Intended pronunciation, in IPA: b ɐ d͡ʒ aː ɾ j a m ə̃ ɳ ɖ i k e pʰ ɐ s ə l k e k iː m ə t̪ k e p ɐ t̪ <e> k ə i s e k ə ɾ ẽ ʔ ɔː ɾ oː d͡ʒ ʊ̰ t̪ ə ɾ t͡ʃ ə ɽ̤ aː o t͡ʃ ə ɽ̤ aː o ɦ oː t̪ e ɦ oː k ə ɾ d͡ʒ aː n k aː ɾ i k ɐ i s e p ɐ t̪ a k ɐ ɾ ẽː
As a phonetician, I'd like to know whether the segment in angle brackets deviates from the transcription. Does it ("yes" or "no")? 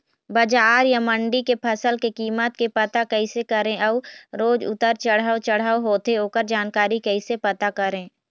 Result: yes